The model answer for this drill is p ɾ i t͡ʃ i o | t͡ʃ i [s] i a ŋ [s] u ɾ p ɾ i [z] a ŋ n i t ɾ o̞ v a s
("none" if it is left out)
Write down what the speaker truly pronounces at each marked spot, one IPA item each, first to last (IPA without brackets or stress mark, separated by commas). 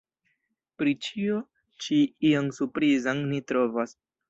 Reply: none, s, z